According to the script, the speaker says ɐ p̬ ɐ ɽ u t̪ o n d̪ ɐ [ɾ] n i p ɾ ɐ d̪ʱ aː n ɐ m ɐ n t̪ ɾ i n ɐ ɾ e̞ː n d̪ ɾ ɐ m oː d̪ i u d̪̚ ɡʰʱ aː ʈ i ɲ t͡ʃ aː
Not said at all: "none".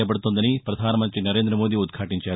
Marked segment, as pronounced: none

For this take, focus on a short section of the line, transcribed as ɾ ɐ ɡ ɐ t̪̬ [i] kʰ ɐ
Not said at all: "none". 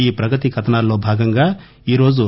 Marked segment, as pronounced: i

